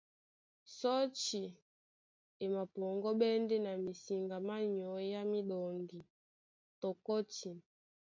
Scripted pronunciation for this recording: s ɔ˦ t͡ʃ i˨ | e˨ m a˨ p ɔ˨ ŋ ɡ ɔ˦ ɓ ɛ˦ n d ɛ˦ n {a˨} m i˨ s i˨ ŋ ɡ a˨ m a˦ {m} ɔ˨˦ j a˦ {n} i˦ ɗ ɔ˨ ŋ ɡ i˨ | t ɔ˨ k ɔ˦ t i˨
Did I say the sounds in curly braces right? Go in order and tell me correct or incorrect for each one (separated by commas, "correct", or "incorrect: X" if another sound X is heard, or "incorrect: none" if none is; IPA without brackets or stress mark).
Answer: correct, incorrect: ɲ, incorrect: m